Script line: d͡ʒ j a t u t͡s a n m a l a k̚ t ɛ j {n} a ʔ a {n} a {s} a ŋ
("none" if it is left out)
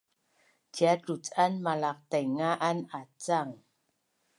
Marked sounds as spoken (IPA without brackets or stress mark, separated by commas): ŋ, n, t͡s